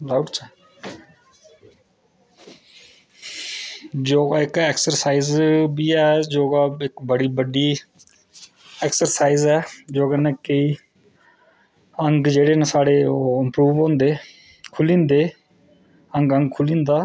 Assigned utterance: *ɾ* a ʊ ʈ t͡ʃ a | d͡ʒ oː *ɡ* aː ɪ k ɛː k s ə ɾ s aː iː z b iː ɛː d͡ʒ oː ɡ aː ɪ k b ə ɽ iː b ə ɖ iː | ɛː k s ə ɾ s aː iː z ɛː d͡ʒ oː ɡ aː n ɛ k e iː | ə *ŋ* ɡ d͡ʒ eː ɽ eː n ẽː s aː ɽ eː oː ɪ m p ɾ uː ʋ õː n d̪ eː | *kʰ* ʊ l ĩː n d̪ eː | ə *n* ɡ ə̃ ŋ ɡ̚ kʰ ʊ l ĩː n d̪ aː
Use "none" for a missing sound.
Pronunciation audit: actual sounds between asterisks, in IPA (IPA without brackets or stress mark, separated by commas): l, ɡ, ŋ, kʰ, ŋ